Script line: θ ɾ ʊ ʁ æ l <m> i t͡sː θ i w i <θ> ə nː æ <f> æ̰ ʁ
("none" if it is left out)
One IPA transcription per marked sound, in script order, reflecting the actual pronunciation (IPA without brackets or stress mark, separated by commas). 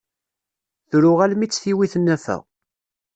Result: m, θ, f